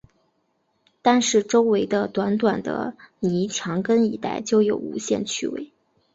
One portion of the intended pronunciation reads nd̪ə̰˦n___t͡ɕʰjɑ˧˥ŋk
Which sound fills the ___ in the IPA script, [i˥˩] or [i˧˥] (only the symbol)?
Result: i˧˥